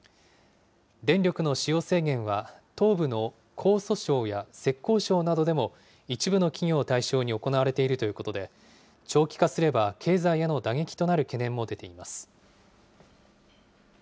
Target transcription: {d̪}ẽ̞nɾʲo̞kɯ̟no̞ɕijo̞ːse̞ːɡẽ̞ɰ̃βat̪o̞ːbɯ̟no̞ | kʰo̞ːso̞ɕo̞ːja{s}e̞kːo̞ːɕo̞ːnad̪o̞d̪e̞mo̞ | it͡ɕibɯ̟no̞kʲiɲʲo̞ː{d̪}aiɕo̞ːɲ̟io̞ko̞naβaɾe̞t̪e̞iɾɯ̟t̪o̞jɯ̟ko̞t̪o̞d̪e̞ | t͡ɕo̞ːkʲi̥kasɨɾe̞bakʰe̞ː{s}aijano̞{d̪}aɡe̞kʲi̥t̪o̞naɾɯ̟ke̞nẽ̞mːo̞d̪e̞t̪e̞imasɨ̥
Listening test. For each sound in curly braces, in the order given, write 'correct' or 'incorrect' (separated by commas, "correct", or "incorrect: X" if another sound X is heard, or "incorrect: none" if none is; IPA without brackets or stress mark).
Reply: correct, correct, incorrect: t̪, incorrect: z, correct